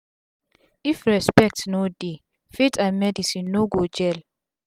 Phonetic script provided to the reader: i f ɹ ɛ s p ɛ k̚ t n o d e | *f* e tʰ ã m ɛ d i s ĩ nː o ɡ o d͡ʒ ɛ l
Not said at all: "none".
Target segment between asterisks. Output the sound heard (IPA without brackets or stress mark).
f